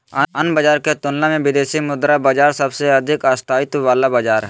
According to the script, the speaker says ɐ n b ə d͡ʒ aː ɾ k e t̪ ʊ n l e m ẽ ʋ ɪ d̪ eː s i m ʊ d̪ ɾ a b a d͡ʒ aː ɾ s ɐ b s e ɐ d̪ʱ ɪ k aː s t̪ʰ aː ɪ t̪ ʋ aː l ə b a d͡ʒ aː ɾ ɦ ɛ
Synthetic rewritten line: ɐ n b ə d͡ʒ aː ɾ k e t̪ ʊ n l a m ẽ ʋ ɪ d̪ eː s i m ʊ d̪ ɾ a b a d͡ʒ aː ɾ s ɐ b s e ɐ d̪ʱ ɪ k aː s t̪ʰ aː ɪ t̪ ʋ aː l a b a d͡ʒ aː ɾ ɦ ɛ